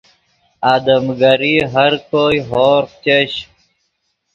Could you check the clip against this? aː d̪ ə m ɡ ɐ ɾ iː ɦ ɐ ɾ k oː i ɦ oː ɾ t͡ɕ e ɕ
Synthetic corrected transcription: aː d̪ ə m ɡ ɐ ɾ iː ɦ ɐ ɾ k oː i ɦ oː ɾ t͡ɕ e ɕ